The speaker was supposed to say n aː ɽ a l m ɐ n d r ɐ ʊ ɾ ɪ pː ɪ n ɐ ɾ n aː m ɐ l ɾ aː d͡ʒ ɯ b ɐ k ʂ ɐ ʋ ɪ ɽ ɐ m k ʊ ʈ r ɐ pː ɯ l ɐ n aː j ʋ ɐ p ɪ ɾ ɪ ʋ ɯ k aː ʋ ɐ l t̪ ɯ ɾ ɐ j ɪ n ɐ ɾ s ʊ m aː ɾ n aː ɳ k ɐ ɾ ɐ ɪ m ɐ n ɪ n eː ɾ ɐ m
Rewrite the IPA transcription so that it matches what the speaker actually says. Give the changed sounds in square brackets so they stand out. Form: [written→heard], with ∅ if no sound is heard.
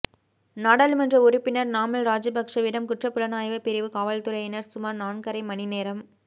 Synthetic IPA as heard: n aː ɽ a l m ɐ n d r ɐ ʊ ɾ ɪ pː ɪ n ɐ ɾ n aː m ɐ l ɾ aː d͡ʒ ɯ b ɐ k ʂ ɐ ʋ ɪ ɽ ɐ m k ʊ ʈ r ɐ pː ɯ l ɐ n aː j ʋ ɐ p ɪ ɾ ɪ ʋ ɯ k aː ʋ ɐ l t̪ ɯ ɾ ɐ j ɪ n ɐ ɾ s ʊ m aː ɾ n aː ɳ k ɐ ɾ ɐ ɪ m ɐ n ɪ n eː ɾ ɐ m